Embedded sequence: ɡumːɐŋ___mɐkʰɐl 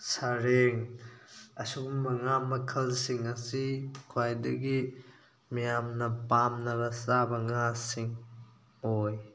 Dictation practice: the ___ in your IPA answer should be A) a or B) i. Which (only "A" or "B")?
A